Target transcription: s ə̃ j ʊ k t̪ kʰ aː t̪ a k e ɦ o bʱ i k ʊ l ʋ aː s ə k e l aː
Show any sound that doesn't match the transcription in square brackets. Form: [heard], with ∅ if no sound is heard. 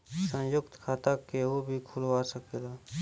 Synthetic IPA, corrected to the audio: s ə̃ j ʊ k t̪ kʰ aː t̪ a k e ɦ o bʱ i [kʰ] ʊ l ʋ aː s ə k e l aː